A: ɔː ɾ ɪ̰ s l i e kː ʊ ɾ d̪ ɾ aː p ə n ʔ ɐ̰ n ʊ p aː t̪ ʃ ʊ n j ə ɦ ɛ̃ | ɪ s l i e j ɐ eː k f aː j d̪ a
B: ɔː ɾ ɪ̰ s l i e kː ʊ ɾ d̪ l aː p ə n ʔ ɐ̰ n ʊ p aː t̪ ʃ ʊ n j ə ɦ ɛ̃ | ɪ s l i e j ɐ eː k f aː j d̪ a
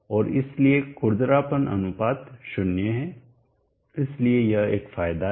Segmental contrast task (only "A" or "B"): A